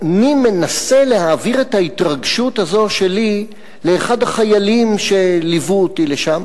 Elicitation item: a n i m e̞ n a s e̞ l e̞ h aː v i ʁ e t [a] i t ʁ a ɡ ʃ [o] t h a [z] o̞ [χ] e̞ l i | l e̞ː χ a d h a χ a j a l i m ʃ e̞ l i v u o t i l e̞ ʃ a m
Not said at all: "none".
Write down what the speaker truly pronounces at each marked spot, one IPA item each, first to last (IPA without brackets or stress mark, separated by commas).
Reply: a, u, z, ʃ